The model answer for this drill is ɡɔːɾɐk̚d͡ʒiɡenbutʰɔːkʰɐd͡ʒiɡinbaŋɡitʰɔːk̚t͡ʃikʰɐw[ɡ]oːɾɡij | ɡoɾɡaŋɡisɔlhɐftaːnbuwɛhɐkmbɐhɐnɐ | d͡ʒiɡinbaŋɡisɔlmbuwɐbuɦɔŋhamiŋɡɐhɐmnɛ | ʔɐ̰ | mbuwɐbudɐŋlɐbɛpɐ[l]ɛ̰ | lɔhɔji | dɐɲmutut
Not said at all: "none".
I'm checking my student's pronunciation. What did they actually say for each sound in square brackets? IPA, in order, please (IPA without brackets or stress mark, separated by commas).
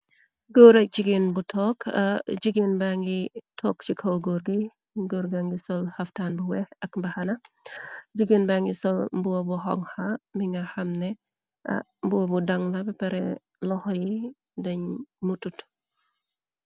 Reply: ɡ, ɾ